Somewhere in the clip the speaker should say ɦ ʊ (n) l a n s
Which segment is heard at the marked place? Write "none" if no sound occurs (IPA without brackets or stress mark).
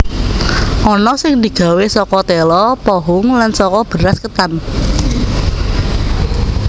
ŋ